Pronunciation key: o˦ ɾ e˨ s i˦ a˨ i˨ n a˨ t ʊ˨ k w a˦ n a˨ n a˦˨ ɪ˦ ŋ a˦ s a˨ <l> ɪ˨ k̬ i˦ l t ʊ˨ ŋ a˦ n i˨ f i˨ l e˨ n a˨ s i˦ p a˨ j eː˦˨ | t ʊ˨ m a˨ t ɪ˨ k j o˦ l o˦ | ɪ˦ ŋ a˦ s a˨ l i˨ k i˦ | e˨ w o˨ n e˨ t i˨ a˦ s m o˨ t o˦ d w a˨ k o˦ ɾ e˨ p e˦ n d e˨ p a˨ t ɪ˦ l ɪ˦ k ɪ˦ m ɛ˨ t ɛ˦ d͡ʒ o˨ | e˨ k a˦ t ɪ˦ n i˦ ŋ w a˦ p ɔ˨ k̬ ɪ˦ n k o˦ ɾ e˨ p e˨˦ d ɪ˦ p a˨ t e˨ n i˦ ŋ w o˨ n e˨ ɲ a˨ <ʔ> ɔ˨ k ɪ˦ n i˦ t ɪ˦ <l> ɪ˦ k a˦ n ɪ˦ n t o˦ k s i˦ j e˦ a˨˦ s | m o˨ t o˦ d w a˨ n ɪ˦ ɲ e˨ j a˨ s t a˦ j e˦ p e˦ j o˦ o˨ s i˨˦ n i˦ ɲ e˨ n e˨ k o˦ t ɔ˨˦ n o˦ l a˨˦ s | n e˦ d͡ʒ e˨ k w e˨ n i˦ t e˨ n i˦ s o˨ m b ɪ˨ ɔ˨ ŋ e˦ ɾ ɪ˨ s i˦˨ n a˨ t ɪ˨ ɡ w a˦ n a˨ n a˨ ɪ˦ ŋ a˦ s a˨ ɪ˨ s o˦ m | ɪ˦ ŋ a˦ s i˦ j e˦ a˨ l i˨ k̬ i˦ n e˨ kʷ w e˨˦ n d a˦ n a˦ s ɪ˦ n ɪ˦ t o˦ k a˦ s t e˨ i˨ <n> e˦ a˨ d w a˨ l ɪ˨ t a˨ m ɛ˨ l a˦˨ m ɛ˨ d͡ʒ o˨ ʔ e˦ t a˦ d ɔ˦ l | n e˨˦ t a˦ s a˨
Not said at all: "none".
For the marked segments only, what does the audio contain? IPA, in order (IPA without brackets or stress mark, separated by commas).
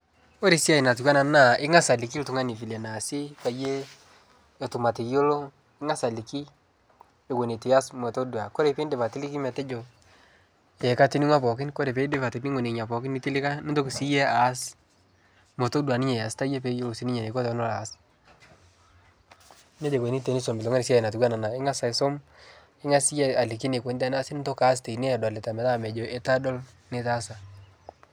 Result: l, p, l, n